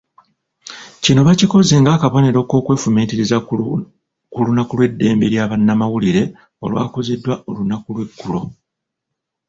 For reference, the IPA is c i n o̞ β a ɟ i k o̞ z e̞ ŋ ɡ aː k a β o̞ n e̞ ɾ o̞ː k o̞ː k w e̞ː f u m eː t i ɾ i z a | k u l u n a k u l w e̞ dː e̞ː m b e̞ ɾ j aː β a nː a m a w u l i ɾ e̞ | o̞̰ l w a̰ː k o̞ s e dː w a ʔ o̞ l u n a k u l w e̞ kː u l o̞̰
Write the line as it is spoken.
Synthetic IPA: c i n o̞ β a c i k o̞ z e̞ ŋ ɡ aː k a β o̞ n e̞ ɾ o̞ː k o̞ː k w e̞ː f u m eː t i ɾ i z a | k u l u n a k u l w e̞ dː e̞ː m b e̞ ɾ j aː β a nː a m a w u l i ɾ e̞ | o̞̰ l w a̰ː k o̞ z e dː w a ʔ o̞ l u n a k u l w e̞ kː u l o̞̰